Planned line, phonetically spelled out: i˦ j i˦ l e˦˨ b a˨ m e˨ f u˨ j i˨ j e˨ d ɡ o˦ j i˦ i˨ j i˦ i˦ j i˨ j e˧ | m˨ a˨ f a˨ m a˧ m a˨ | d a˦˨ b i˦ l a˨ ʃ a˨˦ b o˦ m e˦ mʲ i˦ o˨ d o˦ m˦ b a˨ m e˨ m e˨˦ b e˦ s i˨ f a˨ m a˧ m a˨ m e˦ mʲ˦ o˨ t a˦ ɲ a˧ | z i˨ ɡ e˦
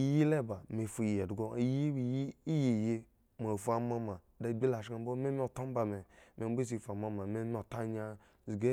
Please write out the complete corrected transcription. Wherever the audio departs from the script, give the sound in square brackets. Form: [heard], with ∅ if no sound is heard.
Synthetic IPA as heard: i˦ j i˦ l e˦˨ b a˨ m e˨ f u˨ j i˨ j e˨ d ɡ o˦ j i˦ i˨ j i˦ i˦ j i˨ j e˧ | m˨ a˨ f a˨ m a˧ m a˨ | d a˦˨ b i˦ l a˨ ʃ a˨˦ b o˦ m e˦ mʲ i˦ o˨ [t] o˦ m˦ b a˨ m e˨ m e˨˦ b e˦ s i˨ f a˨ m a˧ m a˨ m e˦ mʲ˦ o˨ t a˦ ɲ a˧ | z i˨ ɡ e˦

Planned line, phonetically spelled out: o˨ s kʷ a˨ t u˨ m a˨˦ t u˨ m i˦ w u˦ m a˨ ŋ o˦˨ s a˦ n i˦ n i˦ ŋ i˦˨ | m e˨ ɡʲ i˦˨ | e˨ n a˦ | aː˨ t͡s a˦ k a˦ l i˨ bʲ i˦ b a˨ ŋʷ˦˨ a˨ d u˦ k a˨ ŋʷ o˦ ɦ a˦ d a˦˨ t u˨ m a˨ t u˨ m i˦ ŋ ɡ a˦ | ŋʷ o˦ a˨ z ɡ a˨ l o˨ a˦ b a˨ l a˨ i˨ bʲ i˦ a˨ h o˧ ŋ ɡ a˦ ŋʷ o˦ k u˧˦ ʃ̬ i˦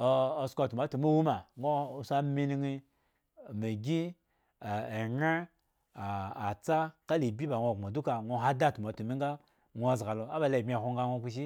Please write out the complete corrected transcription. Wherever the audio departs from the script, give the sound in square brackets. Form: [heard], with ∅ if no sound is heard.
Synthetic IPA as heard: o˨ s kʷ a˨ t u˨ m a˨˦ t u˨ m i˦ w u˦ m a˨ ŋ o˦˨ s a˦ [m] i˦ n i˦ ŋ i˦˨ | m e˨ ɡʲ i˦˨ | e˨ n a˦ | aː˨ t͡s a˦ k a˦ l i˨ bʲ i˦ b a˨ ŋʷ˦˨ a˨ d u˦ k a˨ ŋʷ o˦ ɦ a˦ d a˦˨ t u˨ m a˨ t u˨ m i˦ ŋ ɡ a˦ | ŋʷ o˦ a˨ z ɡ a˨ l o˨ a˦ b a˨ l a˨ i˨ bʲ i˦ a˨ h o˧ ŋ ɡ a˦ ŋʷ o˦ k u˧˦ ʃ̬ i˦

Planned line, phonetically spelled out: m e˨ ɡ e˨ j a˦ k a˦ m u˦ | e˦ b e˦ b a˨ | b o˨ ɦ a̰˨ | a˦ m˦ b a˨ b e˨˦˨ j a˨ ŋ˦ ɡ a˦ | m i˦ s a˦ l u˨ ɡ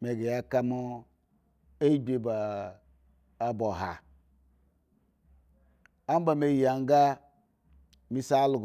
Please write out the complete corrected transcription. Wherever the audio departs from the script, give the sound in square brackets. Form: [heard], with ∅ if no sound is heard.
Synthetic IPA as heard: m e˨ ɡ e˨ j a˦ k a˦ m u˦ | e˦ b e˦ b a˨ | b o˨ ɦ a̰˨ | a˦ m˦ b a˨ [m] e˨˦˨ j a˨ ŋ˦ ɡ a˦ | m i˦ s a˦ l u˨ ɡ

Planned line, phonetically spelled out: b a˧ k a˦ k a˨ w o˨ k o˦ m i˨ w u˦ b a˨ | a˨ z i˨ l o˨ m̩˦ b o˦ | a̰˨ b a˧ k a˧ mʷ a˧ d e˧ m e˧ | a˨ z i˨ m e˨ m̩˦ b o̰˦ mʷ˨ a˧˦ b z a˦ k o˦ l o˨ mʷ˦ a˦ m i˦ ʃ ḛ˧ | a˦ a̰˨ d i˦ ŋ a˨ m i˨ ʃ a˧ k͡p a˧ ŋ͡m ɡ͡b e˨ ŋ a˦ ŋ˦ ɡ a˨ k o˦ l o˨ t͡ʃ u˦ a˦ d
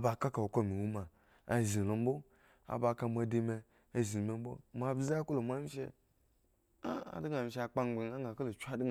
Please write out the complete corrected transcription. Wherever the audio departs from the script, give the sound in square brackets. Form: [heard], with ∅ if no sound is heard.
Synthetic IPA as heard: b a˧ k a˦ k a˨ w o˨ k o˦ m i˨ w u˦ [m] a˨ | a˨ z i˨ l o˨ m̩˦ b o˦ | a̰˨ b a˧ k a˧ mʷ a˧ d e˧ m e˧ | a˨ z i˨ m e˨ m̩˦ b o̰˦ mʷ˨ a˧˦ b z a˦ k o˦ l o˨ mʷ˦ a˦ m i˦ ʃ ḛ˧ | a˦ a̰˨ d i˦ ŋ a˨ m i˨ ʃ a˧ k͡p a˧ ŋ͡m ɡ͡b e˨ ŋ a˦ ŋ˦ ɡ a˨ k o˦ l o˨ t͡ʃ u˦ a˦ d

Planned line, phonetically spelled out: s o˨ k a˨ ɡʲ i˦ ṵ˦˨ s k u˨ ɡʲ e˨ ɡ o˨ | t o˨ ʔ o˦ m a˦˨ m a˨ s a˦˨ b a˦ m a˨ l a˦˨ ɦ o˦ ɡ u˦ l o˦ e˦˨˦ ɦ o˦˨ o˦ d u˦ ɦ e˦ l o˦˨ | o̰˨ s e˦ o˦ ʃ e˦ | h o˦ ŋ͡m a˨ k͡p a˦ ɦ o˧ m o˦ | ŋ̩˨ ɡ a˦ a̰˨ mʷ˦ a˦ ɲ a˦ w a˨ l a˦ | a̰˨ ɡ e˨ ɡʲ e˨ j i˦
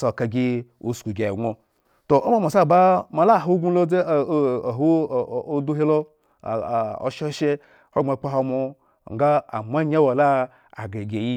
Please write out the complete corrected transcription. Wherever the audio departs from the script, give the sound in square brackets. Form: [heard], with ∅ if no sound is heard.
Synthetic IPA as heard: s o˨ k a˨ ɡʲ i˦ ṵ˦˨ s k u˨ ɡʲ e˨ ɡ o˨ | t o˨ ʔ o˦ m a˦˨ m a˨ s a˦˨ b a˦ m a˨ l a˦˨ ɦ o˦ ɡ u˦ l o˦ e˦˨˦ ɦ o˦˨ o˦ d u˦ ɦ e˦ l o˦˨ | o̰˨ [ʃ] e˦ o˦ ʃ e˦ | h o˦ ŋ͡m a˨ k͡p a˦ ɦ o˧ m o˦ | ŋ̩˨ ɡ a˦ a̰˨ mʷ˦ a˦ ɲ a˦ w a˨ l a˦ | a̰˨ ɡ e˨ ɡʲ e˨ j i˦

